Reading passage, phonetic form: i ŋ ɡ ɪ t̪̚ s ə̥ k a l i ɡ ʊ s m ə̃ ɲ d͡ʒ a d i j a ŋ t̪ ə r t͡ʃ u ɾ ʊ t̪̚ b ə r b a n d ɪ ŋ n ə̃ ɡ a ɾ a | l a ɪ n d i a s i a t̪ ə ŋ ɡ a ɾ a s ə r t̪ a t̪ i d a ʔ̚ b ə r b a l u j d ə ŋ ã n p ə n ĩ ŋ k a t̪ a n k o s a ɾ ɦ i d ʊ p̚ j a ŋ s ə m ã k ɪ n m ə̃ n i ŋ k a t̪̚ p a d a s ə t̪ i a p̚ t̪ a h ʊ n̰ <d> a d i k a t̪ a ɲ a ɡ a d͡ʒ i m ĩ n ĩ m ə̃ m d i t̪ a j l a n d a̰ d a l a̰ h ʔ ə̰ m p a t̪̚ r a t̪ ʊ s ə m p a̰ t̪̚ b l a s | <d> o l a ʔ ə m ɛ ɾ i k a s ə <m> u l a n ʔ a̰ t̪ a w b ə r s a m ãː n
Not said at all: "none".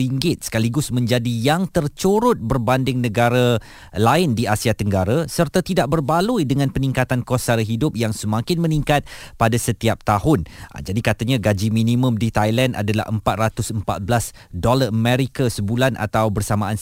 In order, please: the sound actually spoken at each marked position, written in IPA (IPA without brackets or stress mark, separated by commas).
d͡ʒ, d, b